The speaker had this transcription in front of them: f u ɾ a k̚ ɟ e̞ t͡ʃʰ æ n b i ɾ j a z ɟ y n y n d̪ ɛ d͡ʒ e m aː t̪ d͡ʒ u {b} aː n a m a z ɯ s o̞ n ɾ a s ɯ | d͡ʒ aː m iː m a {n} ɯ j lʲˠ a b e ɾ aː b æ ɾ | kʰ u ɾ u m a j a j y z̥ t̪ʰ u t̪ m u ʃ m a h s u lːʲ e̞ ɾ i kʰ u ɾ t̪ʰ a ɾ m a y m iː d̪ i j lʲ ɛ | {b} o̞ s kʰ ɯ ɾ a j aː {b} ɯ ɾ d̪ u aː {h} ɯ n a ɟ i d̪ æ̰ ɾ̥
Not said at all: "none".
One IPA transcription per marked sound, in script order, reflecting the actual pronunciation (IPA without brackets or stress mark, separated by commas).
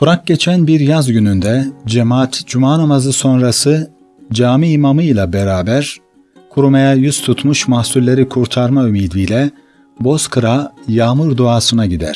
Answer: m, m, b, m, s